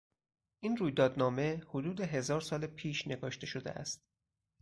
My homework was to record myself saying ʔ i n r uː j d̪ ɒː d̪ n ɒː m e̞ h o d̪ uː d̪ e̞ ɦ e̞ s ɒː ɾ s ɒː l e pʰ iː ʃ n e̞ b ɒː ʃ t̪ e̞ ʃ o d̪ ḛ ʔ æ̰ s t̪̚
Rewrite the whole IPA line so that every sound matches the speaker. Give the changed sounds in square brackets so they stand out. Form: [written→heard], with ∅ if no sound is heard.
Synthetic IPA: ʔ i n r uː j d̪ ɒː d̪ n ɒː m e̞ h o d̪ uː d̪ e̞ ɦ e̞ [s→z] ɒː ɾ s ɒː l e pʰ iː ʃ n e̞ [b→ɡ] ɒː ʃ t̪ e̞ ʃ o d̪ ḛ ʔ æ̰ s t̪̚